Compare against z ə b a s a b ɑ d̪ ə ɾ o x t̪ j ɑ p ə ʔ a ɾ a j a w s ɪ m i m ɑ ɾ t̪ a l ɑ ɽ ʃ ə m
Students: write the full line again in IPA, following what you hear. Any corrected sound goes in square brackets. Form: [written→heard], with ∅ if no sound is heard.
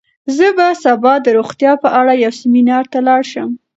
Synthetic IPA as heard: z ə b a s a b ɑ d̪ ə ɾ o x t̪ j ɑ p ə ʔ a [ɾ→ɽ] a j a w s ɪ m i [m→n] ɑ ɾ t̪ a l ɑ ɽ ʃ ə m

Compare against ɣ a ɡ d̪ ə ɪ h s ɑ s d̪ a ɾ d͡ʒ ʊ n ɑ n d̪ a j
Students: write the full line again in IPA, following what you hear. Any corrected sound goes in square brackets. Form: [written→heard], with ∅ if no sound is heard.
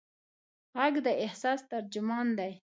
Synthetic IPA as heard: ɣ a ɡ d̪ ə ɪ h s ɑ s [d̪→t̪] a ɾ d͡ʒ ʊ [n→m] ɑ n d̪ a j

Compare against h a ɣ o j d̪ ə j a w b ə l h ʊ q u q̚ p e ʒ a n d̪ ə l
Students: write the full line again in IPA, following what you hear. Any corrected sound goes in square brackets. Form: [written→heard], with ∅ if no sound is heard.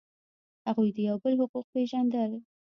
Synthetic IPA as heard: h a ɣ [o→u] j d̪ ə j a w b ə l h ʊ q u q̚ p e ʒ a n d̪ ə l

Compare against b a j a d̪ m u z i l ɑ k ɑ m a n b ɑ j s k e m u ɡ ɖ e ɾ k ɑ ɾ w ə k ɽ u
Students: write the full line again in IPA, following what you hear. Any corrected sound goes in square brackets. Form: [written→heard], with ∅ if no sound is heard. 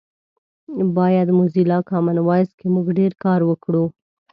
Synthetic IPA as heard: b [a→ɑ] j a d̪ m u z i l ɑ k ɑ m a n [b→w] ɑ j s k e m u ɡ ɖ e ɾ k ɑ ɾ w ə k ɽ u

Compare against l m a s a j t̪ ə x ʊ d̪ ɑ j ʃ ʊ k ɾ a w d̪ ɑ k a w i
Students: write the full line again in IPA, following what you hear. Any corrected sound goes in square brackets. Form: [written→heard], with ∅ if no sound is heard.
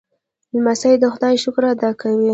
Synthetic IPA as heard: l m a s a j [t̪→d̪] ə x ʊ d̪ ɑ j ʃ ʊ k ɾ a [w→∅] d̪ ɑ k a w i

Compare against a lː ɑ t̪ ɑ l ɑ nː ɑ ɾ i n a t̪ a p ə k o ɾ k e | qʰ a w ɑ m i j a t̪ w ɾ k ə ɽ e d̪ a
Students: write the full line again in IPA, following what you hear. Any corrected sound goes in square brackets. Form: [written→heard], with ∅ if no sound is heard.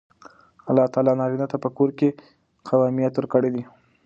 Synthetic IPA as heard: a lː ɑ t̪ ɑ l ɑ [nː→n] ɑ ɾ i n a t̪ a p ə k o ɾ k e | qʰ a w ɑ m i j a t̪ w ɾ k ə ɽ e d̪ [a→i]

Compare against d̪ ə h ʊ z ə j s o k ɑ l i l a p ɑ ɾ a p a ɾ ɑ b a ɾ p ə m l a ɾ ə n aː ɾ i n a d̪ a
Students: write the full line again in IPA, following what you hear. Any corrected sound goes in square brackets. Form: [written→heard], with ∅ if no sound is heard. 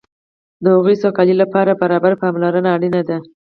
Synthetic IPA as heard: d̪ ə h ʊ [z→ɣ] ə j s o k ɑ l i l a p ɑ ɾ a [p→b] a ɾ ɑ b a ɾ p [ə→ɑ] m l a ɾ ə n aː [ɾ→ɽ] i n a d̪ a

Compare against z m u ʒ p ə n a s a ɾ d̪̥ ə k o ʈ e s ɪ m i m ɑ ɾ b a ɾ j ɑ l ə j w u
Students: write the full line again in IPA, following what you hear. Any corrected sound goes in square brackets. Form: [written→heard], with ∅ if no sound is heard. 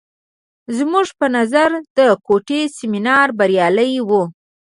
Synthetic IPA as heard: z m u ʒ p ə n a [s→z] a ɾ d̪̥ ə k o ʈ e s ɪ m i [m→n] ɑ ɾ b a ɾ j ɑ l ə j w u

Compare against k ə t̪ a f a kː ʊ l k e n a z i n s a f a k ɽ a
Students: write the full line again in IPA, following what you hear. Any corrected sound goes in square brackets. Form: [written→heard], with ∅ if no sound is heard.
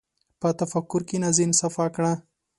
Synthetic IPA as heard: [k→p] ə t̪ a f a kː ʊ [l→ɾ] k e n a z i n s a f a k ɽ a

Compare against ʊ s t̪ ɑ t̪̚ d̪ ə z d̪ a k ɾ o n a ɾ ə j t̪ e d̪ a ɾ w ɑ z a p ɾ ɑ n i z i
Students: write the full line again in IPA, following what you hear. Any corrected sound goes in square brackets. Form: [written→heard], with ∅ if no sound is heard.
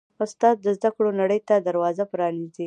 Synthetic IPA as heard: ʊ s t̪ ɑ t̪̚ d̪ ə z d̪ a k [ɾ→ɽ] o n a [ɾ→ɽ] ə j t̪ [e→a] d̪ a ɾ w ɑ z a p ɾ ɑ n i z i

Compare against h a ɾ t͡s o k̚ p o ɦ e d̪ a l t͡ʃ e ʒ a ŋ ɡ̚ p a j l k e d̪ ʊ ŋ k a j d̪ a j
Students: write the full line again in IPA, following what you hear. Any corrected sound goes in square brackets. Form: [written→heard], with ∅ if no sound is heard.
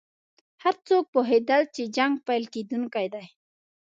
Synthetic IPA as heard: h a ɾ t͡s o k̚ p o ɦ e d̪ a l t͡ʃ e [ʒ→d͡ʒ] a ŋ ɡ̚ p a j l k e d̪ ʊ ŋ k a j d̪ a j

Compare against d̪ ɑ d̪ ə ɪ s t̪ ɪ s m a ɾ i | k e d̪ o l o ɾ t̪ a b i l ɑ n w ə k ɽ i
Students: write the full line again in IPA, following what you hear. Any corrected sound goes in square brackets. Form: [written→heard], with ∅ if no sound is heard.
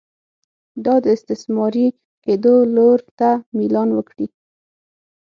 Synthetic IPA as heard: d̪ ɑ d̪ ə ɪ s t̪ ɪ s m [a→ɑ] ɾ i | k e d̪ o l o ɾ t̪ a [b→m] i l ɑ n w ə k ɽ i

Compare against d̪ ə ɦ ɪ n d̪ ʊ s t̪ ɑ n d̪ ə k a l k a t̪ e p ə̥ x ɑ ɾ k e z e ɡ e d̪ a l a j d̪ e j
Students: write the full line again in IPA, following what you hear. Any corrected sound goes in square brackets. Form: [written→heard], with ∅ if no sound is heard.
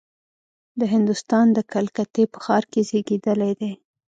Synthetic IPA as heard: d̪ ə ɦ ɪ n d̪ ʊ s t̪ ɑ n d̪ ə k a l k a t̪ e p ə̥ x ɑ ɾ k e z e ɡ e d̪ [a→ə] l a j d̪ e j

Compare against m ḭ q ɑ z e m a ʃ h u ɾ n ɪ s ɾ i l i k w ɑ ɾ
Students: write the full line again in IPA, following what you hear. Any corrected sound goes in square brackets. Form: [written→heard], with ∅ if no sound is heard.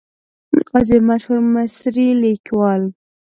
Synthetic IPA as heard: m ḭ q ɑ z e m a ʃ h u ɾ [n→m] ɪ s ɾ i l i k w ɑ [ɾ→l]

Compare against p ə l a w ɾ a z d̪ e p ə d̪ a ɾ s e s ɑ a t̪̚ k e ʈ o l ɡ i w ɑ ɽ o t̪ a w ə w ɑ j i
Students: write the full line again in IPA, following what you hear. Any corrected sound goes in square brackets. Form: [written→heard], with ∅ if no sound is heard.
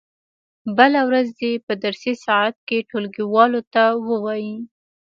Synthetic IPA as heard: [p→b] ə l a w ɾ a z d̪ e p ə d̪ a ɾ s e s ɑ a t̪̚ k e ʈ o l ɡ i w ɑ [ɽ→l] o t̪ a w ə w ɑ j i

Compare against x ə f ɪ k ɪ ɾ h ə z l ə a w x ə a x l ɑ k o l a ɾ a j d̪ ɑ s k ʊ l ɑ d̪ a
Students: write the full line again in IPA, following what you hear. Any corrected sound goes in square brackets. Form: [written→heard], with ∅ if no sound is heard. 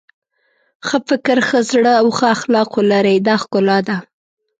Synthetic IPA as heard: x ə f ɪ k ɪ ɾ [h→x] ə z [l→ɽ] ə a w x ə a x l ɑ [k→q] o l a ɾ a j d̪ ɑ [s→x] k ʊ l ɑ d̪ a

